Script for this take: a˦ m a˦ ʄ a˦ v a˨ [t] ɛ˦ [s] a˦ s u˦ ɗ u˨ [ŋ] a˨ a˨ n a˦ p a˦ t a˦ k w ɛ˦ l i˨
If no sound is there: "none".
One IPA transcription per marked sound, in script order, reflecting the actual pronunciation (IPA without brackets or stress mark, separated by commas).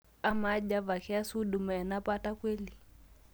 k, none, m